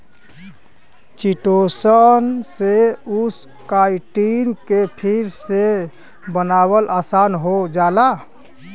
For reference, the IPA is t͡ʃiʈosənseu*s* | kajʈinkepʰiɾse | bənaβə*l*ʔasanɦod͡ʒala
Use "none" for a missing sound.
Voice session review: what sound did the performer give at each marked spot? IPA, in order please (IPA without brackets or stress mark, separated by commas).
s, l